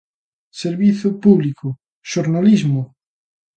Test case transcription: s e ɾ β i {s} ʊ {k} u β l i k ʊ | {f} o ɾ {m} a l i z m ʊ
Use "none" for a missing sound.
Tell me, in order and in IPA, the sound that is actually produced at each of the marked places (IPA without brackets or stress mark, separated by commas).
θ, p, ʃ, n